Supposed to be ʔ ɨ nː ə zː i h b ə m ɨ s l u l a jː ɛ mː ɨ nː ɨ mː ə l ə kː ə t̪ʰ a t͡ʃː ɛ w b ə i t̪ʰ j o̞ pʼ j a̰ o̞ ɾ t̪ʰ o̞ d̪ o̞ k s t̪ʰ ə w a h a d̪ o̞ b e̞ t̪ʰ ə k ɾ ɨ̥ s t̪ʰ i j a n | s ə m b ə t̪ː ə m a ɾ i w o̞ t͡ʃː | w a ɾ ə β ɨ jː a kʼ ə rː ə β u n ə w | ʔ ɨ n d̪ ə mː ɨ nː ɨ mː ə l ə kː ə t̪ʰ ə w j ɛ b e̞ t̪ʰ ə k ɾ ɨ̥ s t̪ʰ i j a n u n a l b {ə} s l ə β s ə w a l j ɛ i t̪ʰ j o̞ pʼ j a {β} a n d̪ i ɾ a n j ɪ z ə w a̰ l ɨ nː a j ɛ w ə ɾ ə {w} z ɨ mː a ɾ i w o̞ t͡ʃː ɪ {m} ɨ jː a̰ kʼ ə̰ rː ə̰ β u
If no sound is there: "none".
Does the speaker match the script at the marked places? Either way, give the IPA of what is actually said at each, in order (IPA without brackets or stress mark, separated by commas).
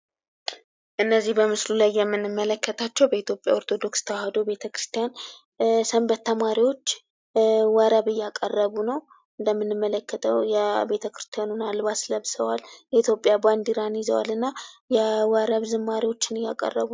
a, b, β, n